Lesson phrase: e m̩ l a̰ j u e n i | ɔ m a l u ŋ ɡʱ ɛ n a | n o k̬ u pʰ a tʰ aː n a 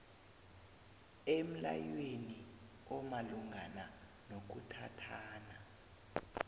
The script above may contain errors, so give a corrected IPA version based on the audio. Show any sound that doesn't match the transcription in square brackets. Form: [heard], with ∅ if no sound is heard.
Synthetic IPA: e m̩ l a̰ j [w] e n i | ɔ m a l u ŋ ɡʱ [a] n a | n o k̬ u [tʰ] a tʰ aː n a